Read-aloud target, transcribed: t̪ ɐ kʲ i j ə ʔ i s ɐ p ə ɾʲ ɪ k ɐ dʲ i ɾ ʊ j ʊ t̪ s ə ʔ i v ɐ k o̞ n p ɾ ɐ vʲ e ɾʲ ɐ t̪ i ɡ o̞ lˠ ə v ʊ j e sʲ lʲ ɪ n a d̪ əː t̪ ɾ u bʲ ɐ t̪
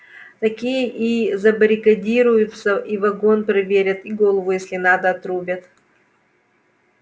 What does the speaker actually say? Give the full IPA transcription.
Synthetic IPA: t̪ ɐ kʲ i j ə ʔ i z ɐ b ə ɾʲ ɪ k ɐ dʲ i ɾ ʊ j ʊ t̪ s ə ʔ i v ɐ ɡ o̞ n p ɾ ɐ vʲ e ɾʲ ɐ t̪ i ɡ o̞ lˠ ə v ʊ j e sʲ lʲ ɪ n a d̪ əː t̪ ɾ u bʲ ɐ t̪

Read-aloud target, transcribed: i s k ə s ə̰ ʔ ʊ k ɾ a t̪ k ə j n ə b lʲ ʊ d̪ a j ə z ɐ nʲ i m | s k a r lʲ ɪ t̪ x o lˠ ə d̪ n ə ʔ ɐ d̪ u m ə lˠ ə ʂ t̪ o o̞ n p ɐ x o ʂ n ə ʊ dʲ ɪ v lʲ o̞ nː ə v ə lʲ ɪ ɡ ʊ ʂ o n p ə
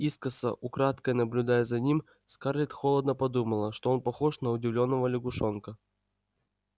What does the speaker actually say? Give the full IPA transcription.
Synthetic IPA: i s k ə s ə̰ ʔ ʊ k ɾ a t̪ k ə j n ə b lʲ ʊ d̪ a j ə z ɐ nʲ i m | s k a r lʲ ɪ t̪ x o lˠ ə d̪ n ə p ɐ d̪ u m ə lˠ ə ʂ t̪ o o̞ n p ɐ x o ʂ n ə ʊ dʲ ɪ v lʲ o̞ nː ə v ə lʲ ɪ ɡ ʊ ʂ o n k ə

